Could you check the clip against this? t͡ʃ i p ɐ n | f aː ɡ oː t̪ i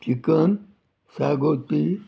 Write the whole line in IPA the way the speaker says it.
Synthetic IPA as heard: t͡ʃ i k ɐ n | s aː ɡ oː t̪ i